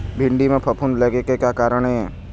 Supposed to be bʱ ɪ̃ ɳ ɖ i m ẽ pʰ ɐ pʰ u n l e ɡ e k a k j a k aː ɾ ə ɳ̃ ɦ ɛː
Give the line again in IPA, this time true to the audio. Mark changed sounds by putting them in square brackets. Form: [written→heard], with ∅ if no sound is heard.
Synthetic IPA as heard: bʱ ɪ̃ ɳ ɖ i m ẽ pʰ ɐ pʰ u n l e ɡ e k [a→e] k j a k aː ɾ ə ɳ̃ ɦ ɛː